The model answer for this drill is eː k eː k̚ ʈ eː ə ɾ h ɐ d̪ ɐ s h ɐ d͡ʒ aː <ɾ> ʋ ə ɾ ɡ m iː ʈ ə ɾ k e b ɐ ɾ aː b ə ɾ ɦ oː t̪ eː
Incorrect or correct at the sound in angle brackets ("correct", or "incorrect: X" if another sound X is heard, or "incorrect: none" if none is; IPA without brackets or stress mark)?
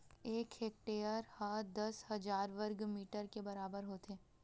correct